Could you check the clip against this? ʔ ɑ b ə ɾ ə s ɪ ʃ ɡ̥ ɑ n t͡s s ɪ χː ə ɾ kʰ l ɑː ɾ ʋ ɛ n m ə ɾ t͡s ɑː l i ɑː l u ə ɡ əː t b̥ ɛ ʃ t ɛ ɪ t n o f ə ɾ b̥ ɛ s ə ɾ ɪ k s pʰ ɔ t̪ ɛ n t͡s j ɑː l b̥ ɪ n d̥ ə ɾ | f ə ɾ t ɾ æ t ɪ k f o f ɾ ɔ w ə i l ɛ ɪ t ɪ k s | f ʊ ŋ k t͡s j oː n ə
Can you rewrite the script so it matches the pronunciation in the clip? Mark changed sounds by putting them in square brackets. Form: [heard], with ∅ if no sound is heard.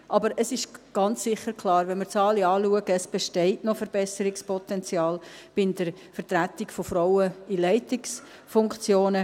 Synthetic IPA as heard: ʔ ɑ b ə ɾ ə s ɪ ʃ ɡ̥ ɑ n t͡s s ɪ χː ə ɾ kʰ l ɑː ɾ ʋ ɛ n m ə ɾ t͡s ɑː l i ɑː l u ə ɡ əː [s] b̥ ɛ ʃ t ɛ ɪ t n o f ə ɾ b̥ ɛ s ə ɾ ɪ k s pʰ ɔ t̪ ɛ n t͡s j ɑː l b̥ ɪ n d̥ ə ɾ | f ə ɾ t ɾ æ t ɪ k f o f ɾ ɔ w ə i l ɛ ɪ t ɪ k s | f ʊ ŋ k t͡s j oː n ə

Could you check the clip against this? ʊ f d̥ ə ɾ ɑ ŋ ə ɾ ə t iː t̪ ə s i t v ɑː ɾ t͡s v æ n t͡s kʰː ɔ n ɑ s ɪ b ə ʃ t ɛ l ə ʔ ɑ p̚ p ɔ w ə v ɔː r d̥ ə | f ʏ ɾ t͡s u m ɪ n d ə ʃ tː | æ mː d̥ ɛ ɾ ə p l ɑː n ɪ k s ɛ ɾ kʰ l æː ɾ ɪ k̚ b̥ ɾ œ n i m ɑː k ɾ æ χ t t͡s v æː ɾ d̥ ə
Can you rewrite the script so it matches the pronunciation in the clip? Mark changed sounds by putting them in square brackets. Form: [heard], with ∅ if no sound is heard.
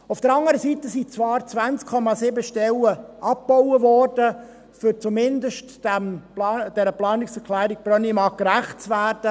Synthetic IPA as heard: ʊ f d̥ ə ɾ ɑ ŋ ə ɾ ə [s] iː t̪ ə s i [t͡s] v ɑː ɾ t͡s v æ n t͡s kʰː ɔ [m] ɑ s ɪ b ə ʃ t ɛ l ə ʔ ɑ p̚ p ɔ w ə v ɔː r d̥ ə | f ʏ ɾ t͡s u m ɪ n d ə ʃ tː | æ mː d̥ ɛ ɾ ə p l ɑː n ɪ k s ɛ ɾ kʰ l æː ɾ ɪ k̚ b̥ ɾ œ n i m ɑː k ɾ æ χ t t͡s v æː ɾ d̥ ə

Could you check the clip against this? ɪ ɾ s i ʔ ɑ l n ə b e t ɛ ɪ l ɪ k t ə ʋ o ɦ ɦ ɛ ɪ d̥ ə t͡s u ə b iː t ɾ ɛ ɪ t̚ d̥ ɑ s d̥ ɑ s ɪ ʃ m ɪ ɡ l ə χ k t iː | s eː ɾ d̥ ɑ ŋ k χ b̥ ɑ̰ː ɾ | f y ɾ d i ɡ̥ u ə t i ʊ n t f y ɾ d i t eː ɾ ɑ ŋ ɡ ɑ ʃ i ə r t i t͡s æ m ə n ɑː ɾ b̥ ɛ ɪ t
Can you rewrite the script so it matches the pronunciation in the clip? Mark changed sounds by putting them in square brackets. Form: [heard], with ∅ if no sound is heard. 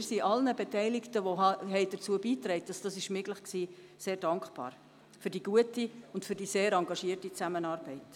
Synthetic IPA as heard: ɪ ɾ s i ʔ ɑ l n ə b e t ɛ ɪ l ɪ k t ə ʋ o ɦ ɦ ɛ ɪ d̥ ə t͡s u ə b iː t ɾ ɛ ɪ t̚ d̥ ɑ s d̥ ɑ s ɪ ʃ m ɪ ɡ l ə χ k [s] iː | s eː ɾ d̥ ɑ ŋ k χ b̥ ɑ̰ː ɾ | f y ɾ d i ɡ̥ u ə t i ʊ n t f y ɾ d i [s] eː ɾ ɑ ŋ ɡ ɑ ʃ i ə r t i t͡s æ m ə n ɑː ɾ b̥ ɛ ɪ t

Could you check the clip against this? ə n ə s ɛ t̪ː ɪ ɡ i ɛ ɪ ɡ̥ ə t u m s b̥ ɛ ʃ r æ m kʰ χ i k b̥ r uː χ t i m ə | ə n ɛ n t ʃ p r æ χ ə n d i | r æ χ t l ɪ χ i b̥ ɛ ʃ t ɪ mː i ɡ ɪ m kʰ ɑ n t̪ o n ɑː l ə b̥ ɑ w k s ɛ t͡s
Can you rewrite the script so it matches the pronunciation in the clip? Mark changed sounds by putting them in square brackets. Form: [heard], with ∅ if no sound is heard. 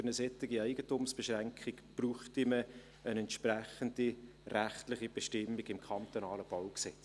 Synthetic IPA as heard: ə n ə s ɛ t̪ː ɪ ɡ i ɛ ɪ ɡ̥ ə t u m s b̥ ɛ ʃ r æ [ŋ] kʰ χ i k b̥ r uː χ t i m ə | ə n ɛ n t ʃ p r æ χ ə n d i | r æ χ t l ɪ χ i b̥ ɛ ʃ t ɪ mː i ɡ ɪ m kʰ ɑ n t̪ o n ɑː l ə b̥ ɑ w k s ɛ t͡s

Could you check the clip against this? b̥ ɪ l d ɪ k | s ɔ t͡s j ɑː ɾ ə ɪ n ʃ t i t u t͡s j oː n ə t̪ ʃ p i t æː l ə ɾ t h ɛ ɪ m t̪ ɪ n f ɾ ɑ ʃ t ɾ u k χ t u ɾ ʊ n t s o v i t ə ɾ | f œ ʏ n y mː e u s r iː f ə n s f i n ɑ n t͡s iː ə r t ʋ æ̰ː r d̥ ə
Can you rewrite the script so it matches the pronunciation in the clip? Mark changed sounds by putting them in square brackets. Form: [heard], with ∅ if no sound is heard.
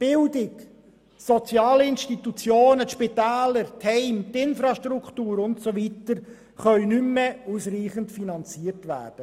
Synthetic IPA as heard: b̥ ɪ l d ɪ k | s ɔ t͡s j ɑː [l] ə ɪ n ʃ t i t u t͡s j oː n ə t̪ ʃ p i t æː l ə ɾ t h ɛ ɪ m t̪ ɪ n f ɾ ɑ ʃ t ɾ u k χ t [uː] ɾ ʊ n t s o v i t ə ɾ | [χ] œ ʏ n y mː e u s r iː [χ] ə n [t] f i n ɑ n t͡s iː ə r t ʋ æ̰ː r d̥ ə

